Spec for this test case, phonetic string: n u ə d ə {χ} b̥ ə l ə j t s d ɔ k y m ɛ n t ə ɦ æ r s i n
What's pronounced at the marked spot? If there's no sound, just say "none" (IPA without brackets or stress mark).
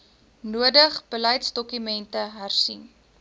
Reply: χ